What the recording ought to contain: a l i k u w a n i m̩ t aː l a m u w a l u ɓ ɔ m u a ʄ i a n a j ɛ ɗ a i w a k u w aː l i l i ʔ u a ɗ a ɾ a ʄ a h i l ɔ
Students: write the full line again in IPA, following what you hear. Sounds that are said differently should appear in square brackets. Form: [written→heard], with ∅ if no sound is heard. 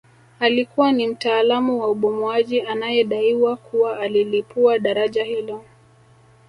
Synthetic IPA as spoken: a l i k u w a n i m̩ t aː l a m u w a [l→∅] u ɓ ɔ m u a ʄ i a n a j ɛ ɗ a i w a k u w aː l i l i [ʔ→p] u a ɗ a ɾ a ʄ a h i l ɔ

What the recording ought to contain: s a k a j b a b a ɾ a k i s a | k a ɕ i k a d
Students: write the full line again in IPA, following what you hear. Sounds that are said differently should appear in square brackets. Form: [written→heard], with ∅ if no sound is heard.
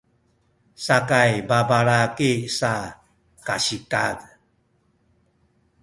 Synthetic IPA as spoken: s a k a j b a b a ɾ a k i s a | k a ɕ i k a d

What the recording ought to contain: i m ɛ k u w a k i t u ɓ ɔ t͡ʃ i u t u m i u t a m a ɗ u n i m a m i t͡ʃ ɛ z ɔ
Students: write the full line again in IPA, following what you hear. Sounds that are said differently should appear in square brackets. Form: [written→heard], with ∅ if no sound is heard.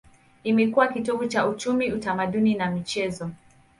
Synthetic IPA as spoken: i m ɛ k u w a k i t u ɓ [ɔ→u] t͡ʃ [i→a] u [t→t͡ʃ] u m i u t a m a ɗ u n i [m→n] a m i t͡ʃ ɛ z ɔ

